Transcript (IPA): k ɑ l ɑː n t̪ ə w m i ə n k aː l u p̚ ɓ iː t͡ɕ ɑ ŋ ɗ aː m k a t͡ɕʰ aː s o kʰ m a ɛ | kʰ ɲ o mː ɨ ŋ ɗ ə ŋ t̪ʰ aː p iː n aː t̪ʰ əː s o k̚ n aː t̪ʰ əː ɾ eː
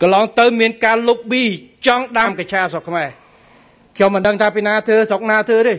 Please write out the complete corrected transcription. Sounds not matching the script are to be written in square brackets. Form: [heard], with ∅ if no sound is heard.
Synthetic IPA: k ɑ l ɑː [ŋ] t̪ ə w m i ə n k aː l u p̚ ɓ iː t͡ɕ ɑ ŋ ɗ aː m k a t͡ɕʰ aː s o kʰ m a ɛ | kʰ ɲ o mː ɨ [n] ɗ ə ŋ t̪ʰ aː p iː n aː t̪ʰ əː s o k̚ n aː t̪ʰ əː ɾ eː